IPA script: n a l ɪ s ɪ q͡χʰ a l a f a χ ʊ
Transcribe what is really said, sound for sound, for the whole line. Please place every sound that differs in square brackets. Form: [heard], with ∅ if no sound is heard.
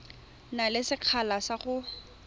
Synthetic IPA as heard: n a l ɪ s ɪ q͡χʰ a l a [s] a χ ʊ